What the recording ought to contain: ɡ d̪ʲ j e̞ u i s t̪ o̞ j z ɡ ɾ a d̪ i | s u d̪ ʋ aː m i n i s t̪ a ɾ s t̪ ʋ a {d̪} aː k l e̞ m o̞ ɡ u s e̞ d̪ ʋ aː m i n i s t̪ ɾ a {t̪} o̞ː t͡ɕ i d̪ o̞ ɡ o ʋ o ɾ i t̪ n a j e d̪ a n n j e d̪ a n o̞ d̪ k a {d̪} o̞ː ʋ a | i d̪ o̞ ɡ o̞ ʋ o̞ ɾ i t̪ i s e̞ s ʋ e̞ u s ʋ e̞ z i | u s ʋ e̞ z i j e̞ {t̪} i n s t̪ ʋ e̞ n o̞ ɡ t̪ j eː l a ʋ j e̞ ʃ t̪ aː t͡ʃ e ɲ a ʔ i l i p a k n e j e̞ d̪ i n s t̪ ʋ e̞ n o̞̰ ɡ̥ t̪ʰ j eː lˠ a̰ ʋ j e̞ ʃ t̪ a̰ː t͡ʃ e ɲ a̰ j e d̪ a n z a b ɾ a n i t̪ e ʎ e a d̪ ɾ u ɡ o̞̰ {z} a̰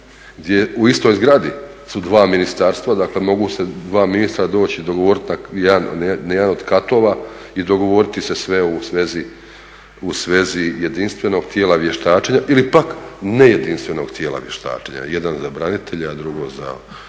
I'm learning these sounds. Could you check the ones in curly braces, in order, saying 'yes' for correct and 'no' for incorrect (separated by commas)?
yes, no, no, no, yes